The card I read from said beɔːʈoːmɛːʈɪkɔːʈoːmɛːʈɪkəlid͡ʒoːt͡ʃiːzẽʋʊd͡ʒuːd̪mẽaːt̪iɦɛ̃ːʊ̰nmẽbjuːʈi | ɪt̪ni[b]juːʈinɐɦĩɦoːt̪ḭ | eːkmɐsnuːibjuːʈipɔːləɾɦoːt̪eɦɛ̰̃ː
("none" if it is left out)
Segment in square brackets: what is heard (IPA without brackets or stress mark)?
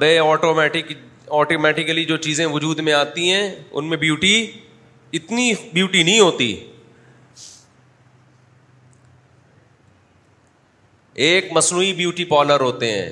b